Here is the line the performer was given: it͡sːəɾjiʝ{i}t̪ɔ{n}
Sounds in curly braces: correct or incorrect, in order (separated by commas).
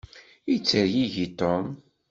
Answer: correct, incorrect